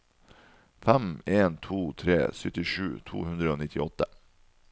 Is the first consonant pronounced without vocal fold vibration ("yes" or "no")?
yes